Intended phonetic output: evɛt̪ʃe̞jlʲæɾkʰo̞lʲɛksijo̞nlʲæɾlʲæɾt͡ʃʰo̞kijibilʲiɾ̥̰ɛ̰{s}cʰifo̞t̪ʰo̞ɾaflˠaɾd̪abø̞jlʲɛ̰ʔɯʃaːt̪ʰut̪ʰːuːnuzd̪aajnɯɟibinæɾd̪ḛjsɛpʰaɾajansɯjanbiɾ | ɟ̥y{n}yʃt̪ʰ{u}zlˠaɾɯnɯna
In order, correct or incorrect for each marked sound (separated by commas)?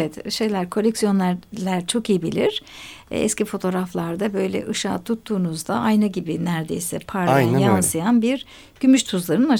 correct, incorrect, correct